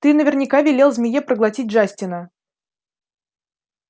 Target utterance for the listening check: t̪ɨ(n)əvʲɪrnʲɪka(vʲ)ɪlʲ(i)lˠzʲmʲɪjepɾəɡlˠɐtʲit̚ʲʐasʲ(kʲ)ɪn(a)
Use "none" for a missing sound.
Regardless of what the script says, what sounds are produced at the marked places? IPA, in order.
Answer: n, vʲ, e, tʲ, ə

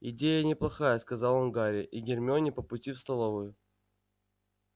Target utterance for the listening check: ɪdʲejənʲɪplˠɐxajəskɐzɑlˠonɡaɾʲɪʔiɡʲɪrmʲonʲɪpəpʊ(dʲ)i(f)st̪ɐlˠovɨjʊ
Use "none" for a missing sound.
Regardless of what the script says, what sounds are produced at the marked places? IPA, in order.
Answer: tʲ, f

